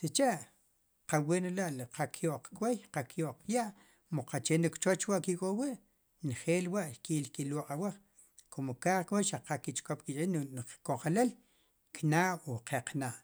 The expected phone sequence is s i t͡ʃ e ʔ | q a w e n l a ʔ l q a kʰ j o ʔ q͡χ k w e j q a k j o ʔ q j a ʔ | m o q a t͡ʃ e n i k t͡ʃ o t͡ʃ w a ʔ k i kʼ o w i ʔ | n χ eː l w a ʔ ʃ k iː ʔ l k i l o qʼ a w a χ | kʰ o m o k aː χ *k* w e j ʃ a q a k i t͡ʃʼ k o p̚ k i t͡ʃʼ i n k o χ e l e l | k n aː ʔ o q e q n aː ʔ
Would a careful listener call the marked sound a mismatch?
no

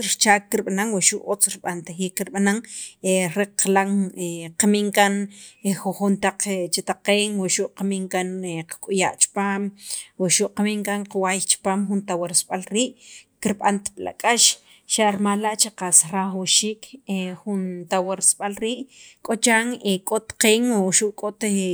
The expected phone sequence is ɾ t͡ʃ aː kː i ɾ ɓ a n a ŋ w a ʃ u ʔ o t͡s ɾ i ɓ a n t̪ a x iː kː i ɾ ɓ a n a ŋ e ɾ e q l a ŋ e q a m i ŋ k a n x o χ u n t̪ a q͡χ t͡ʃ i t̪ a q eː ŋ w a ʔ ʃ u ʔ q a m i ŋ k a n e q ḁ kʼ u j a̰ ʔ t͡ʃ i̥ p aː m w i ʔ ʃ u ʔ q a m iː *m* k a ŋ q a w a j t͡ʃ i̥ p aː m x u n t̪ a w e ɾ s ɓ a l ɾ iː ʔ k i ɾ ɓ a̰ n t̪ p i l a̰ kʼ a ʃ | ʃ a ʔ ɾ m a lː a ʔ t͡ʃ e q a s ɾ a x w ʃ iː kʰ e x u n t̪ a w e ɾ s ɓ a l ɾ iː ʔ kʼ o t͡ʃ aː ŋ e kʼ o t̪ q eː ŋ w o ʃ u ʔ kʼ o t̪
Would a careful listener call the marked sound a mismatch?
yes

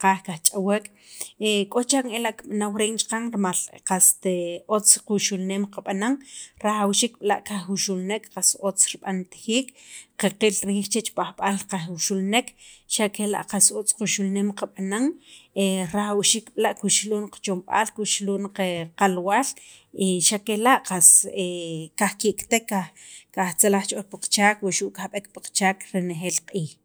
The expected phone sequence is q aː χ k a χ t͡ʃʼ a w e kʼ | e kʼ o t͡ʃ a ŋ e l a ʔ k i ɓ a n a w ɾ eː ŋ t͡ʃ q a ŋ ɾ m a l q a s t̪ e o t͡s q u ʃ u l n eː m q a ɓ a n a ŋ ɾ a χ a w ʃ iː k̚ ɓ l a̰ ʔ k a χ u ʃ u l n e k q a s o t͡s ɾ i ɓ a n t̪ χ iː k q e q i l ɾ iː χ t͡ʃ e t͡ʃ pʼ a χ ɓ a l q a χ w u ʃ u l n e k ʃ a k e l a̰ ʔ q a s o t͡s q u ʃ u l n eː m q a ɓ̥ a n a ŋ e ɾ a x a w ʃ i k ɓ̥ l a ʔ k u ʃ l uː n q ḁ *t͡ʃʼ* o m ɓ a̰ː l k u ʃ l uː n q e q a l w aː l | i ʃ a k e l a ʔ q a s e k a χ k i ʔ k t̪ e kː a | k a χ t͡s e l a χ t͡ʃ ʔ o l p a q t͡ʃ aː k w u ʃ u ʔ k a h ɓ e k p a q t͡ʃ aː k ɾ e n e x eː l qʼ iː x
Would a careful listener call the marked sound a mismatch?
yes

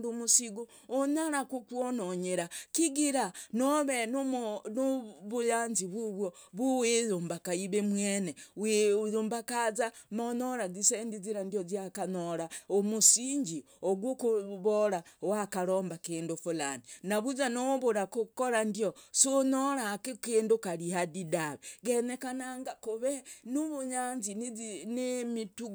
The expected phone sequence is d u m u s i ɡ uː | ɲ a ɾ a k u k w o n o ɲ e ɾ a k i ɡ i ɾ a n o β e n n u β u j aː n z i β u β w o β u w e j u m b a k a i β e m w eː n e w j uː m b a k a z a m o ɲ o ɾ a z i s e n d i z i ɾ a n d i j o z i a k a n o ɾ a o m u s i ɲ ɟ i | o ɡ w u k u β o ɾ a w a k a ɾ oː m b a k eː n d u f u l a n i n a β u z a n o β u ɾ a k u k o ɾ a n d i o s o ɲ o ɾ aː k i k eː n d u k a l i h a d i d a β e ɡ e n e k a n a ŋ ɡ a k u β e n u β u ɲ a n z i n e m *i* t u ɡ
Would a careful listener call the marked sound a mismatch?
no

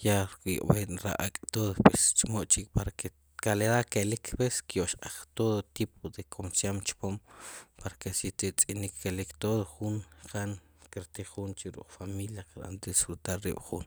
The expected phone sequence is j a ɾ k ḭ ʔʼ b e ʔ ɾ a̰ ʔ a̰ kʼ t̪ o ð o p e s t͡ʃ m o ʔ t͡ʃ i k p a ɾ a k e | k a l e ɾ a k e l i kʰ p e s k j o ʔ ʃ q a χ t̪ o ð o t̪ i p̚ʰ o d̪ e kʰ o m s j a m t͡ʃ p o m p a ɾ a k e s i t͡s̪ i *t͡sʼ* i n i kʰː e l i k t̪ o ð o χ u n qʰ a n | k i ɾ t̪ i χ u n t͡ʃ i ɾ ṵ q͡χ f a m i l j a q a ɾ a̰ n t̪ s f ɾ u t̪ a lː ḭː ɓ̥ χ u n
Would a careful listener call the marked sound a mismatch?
no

